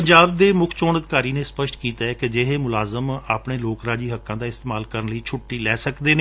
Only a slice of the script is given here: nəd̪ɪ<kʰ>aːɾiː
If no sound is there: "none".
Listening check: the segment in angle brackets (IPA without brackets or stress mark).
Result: k